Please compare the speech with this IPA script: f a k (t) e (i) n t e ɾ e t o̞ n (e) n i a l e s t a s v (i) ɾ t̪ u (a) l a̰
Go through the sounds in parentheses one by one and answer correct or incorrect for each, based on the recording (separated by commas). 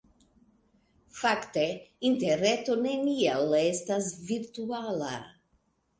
correct, correct, correct, correct, correct